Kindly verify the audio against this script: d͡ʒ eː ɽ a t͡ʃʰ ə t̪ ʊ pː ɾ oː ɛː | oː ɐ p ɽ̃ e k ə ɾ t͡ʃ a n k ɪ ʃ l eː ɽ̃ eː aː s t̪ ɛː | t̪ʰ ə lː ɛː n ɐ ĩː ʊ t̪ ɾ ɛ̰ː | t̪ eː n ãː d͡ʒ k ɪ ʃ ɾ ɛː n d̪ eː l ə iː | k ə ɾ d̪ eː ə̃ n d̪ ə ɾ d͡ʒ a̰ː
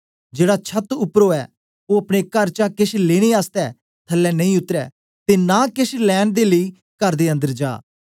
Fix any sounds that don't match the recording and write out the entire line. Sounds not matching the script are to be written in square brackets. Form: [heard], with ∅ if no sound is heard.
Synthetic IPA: d͡ʒ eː ɽ a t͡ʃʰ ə t̪ ʊ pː ɾ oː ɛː | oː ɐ p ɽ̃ e k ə ɾ t͡ʃ a [∅] k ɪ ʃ l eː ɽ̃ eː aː s t̪ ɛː | t̪ʰ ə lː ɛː n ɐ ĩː ʊ t̪ ɾ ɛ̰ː | t̪ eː n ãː [∅] k ɪ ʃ [l] ɛː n d̪ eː l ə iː | k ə ɾ d̪ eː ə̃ n d̪ ə ɾ d͡ʒ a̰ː